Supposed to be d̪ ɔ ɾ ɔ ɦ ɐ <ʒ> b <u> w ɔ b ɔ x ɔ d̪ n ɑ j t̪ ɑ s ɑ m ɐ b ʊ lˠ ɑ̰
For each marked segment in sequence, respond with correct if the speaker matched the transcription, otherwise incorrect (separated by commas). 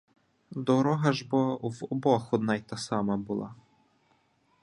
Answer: correct, incorrect